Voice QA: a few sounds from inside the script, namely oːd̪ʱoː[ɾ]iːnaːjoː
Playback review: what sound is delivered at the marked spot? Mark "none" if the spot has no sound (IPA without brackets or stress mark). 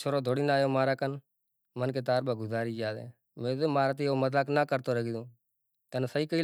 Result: ɽ